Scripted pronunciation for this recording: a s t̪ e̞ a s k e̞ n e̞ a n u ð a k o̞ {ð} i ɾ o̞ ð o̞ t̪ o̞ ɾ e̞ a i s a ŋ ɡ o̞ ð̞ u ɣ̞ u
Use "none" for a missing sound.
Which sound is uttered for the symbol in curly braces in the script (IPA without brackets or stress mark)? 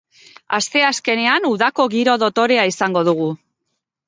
ɣ